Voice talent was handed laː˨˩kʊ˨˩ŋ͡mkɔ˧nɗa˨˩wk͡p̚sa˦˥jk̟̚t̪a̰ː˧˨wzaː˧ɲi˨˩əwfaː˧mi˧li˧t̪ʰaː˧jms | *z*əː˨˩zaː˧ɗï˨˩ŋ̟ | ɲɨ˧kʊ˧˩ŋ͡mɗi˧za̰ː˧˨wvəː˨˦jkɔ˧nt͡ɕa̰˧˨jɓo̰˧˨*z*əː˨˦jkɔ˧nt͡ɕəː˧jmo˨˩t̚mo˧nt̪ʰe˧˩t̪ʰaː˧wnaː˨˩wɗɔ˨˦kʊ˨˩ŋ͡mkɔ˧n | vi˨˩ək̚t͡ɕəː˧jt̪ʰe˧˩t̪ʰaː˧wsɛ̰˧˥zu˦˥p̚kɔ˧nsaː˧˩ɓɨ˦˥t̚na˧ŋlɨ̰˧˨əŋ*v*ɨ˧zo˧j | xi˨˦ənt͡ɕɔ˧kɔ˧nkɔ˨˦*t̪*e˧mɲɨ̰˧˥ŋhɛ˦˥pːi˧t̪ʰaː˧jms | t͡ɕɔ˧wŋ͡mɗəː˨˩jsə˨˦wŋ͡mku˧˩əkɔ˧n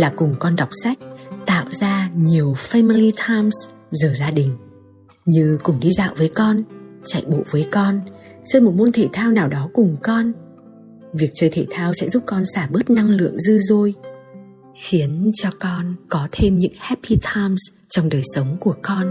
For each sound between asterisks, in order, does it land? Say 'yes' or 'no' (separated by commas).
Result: yes, no, no, no